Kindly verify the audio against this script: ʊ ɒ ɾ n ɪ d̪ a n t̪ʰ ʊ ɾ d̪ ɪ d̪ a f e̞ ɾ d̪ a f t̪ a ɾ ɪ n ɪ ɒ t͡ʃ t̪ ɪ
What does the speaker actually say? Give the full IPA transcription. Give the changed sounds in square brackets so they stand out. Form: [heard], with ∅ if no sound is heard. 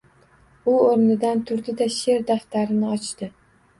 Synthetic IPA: ʊ [o] ɾ n ɪ d̪ a n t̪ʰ ʊ ɾ d̪ ɪ d̪ a [ʃ] e̞ ɾ d̪ a f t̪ a ɾ ɪ n ɪ ɒ t͡ʃ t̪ ɪ